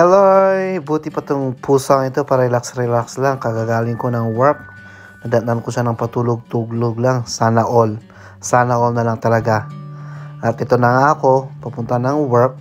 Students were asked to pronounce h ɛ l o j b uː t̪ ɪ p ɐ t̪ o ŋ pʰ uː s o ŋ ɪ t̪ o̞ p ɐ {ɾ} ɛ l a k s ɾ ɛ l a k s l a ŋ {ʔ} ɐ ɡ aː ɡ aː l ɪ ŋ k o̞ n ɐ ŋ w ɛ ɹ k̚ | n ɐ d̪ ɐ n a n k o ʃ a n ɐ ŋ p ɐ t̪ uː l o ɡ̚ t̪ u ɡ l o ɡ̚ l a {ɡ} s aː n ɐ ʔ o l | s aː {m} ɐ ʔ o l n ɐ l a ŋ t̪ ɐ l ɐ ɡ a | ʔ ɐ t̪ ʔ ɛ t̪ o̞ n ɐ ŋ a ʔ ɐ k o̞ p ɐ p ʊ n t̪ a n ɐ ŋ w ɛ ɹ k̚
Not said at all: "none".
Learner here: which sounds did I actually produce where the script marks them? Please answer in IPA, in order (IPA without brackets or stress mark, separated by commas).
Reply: ɾ, k, ŋ, n